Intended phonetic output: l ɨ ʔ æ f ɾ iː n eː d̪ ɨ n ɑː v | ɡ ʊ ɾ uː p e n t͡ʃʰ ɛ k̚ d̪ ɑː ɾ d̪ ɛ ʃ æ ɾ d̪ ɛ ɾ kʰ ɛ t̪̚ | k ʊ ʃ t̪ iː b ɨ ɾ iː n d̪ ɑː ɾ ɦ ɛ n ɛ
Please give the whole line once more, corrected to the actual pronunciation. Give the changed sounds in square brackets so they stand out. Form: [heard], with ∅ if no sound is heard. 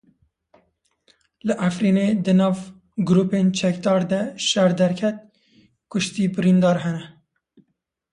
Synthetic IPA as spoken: l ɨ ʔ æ f ɾ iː n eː d̪ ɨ n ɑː v | ɡ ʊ ɾ uː p e n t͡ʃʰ ɛ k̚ d̪ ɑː ɾ d̪ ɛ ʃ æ ɾ d̪ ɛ ɾ kʰ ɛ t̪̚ | k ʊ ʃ t̪ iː b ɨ ɾ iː n d̪ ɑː ɾ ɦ ɛ n ɛ